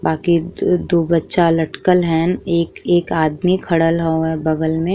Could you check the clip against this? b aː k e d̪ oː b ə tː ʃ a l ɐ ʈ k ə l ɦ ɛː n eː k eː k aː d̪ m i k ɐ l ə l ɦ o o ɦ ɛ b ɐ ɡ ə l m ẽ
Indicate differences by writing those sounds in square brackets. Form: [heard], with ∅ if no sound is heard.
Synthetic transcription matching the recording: b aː k [i] d̪ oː b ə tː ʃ a l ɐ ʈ k ə l ɦ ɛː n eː k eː k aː d̪ m i [kʰ] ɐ [ɽ] ə l ɦ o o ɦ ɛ b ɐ ɡ ə l m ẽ